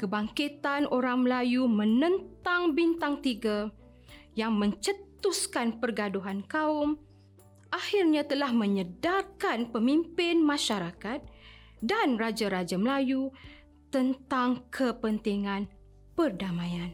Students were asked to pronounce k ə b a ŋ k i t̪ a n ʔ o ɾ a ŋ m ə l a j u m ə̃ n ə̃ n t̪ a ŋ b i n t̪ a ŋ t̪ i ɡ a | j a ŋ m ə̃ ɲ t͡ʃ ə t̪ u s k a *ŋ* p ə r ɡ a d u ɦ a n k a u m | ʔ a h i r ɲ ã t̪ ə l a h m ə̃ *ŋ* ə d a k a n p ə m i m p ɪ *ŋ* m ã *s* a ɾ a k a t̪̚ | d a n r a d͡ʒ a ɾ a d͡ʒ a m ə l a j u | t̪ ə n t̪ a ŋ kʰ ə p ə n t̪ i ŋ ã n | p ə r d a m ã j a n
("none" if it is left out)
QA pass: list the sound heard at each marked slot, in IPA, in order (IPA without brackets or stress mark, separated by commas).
n, ɲ, n, ʃ